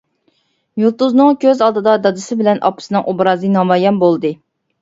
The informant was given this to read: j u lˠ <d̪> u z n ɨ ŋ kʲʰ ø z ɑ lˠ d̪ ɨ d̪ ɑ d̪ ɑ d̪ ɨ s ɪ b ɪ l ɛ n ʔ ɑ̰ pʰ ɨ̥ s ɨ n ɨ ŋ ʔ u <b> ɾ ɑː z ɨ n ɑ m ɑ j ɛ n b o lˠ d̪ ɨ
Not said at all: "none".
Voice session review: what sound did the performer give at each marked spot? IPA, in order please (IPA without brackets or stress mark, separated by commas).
t̪, b